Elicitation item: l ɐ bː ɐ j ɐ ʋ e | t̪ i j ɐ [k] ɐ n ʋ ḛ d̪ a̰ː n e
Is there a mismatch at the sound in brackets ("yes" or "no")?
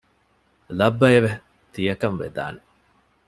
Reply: no